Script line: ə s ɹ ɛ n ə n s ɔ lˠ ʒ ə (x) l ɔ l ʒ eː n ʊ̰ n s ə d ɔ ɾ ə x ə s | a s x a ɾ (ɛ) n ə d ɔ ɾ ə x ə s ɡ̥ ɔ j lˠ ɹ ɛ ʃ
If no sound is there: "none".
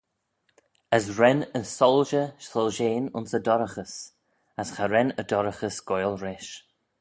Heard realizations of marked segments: ʃ, ɛ

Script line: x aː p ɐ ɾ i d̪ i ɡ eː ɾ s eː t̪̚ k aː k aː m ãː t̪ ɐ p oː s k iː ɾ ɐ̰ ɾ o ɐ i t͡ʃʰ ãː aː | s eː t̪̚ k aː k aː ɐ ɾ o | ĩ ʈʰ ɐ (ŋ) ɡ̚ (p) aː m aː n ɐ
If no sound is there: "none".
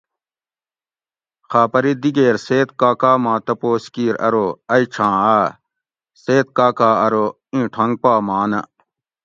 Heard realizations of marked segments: ŋ, p

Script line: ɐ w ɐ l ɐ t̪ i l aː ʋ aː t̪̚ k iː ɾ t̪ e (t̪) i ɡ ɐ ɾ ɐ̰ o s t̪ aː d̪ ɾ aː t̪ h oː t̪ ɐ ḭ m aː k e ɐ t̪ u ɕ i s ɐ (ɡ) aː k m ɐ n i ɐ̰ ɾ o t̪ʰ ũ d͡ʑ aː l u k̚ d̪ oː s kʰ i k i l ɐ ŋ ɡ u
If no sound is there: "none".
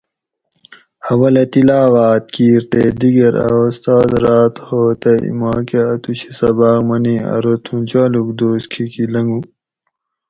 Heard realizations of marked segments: d̪, b

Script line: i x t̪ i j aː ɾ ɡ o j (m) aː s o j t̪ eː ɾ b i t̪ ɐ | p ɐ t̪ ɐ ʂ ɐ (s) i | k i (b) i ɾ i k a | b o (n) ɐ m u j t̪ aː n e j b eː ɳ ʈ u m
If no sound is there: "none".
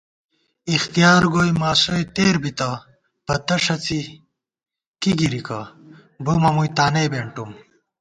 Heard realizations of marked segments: m, t͡s, ɡ, m

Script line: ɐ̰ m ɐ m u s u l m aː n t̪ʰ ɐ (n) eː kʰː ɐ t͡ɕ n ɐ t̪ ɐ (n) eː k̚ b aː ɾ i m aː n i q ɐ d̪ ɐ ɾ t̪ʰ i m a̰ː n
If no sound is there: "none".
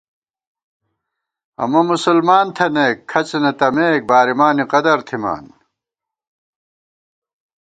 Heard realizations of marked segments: n, m

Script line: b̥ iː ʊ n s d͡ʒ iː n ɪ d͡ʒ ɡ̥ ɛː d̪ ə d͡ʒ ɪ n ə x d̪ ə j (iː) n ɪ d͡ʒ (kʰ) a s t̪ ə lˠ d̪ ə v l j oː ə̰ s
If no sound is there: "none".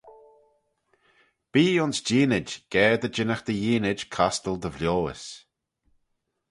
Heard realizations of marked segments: iː, kʰ

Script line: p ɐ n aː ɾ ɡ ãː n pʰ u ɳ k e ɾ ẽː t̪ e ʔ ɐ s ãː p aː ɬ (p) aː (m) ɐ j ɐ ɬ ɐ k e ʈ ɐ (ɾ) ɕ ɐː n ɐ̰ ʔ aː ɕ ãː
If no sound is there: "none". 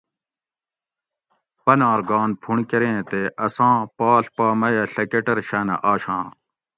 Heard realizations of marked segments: p, m, ɾ

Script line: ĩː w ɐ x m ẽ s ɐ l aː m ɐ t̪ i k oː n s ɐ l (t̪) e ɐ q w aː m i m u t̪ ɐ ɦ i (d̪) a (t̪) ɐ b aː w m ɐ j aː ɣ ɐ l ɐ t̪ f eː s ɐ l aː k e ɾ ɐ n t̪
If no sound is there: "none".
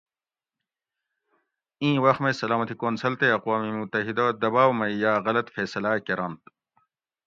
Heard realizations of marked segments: t̪, d̪, d̪

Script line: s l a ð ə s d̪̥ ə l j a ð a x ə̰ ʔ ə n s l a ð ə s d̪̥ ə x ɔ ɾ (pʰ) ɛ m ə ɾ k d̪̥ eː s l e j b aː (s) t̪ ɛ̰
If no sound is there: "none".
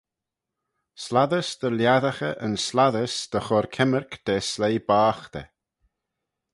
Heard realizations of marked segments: kʰ, x

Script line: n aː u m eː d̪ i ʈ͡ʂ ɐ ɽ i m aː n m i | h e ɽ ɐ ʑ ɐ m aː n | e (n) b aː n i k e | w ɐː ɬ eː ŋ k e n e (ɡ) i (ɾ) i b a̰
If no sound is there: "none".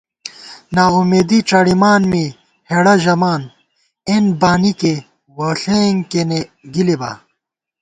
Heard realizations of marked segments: n, ɡ, l

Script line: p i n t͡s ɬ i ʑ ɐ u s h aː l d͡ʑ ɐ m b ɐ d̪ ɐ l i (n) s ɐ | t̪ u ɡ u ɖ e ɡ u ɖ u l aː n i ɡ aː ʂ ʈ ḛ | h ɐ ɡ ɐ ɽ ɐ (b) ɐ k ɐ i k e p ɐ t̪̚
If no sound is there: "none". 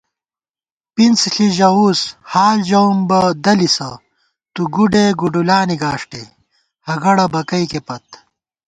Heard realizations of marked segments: none, b

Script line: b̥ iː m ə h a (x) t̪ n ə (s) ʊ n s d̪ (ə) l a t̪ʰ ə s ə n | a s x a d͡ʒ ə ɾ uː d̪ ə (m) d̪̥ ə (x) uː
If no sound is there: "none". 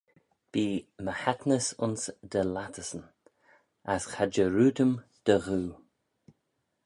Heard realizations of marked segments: none, s, ə, m, ɣ

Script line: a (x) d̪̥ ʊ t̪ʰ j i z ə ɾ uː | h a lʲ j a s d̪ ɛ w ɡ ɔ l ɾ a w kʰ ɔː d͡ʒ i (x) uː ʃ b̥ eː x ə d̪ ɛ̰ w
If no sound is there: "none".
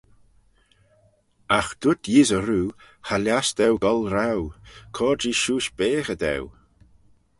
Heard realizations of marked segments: x, ʃ

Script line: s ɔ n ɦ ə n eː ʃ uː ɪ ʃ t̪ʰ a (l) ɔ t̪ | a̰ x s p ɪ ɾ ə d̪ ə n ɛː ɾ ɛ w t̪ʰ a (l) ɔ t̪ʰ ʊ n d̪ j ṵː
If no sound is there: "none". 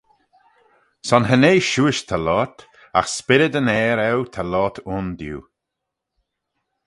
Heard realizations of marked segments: l, l

